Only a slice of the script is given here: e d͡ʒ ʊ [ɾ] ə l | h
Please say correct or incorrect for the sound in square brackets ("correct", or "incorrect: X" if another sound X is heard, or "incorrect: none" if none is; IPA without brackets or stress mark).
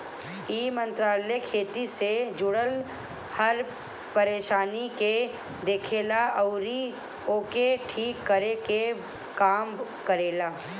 incorrect: ɽ